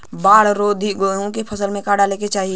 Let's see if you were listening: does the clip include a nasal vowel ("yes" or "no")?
yes